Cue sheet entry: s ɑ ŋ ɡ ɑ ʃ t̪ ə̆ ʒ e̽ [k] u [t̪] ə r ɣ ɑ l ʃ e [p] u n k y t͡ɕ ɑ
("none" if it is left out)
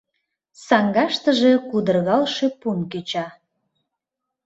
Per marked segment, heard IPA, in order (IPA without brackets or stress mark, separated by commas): k, d̪, p